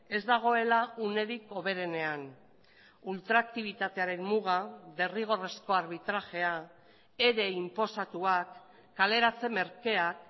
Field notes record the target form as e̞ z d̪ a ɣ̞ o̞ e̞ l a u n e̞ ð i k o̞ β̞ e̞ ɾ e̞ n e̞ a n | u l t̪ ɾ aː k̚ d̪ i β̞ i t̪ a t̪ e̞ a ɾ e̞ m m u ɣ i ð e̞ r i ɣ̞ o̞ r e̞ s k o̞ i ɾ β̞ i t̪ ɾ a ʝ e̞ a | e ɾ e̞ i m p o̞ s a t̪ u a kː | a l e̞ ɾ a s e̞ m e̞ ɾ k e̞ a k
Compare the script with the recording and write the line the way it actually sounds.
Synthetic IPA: e̞ z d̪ a ɣ̞ o̞ e̞ l a u n e̞ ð i k o̞ β̞ e̞ ɾ e̞ n e̞ a n | u l t̪ ɾ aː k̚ t̪ i β̞ i t̪ a t̪ e̞ a ɾ e̞ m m u ɣ a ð e̞ r i ɣ̞ o̞ r e̞ s k o̞ a ɾ β̞ i t̪ ɾ a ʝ e̞ a | e ɾ e̞ i m p o̞ s a t̪ u a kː | a l e̞ ɾ a t͡s e̞ m e̞ ɾ k e̞ a k